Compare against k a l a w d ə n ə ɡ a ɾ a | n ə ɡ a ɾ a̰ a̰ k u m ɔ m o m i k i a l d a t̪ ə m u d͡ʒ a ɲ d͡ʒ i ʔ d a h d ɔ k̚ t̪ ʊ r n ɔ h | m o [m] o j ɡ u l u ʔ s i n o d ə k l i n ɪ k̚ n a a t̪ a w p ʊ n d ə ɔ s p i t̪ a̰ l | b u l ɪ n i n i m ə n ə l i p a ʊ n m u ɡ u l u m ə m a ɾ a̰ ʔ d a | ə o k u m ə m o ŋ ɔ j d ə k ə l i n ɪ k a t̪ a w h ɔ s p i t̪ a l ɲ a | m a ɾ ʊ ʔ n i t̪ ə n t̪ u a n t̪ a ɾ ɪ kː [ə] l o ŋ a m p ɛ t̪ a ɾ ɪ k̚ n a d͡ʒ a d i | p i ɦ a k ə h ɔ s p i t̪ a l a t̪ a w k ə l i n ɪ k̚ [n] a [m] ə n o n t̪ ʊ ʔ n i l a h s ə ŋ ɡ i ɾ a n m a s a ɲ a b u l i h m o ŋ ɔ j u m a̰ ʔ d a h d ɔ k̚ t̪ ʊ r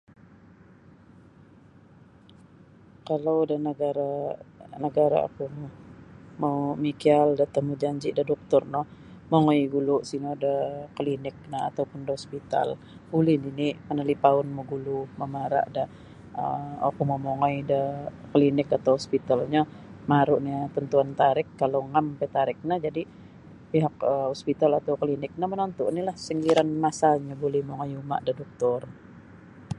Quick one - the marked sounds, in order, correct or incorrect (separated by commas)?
incorrect, incorrect, correct, correct